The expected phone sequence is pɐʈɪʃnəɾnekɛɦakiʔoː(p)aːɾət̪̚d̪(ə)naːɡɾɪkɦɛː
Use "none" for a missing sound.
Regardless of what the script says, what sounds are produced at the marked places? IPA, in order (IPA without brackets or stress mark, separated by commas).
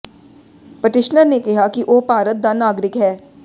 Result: p, a